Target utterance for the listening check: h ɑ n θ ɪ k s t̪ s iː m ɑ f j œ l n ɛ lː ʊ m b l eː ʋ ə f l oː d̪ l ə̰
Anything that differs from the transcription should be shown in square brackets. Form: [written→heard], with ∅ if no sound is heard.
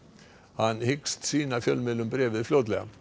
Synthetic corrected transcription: h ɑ n [θ→h] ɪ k s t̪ s iː [m→n] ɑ f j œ l [n→m] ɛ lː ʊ m b [l→ɾ] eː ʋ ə f l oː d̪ l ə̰